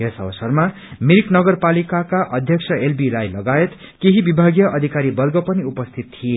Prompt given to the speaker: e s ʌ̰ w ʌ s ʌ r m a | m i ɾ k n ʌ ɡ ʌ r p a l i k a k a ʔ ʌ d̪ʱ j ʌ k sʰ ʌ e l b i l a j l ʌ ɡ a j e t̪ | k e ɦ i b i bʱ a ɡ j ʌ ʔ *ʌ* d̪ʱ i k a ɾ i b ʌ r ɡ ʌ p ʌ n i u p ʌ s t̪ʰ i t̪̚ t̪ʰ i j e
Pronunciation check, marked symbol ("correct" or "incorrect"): correct